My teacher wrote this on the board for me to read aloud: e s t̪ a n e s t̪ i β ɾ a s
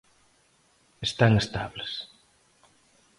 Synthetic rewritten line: e s t̪ a ŋ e s t̪ a β l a s